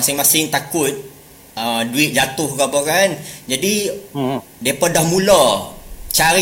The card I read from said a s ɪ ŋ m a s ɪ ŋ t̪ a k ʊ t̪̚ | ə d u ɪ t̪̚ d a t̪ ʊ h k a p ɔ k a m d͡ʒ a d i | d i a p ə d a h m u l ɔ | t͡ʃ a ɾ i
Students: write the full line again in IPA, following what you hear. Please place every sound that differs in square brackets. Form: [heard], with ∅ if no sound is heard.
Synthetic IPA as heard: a s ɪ ŋ m a s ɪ ŋ t̪ a k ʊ t̪̚ | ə d u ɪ t̪̚ [d͡ʒ] a t̪ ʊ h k a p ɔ k a [n] d͡ʒ a d i | d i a p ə d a h m u l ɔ | t͡ʃ a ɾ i